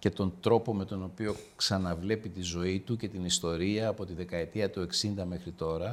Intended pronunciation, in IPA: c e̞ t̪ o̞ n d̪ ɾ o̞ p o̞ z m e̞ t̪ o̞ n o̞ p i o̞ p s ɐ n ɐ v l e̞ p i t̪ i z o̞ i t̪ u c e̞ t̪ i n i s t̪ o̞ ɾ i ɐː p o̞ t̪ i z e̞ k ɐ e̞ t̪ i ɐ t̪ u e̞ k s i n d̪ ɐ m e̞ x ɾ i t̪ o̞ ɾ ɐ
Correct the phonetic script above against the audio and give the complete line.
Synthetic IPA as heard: c e̞ t̪ o̞ n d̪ ɾ o̞ p o̞ m e̞ t̪ o̞ n o̞ p i o̞ k s ɐ n ɐ v l e̞ p i t̪ i z o̞ i t̪ u c e̞ t̪ i n i s t̪ o̞ ɾ i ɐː p o̞ t̪ i ð e̞ k ɐ e̞ t̪ i ɐ t̪ u e̞ k s i n d̪ ɐ m e̞ x ɾ i t̪ o̞ ɾ ɐ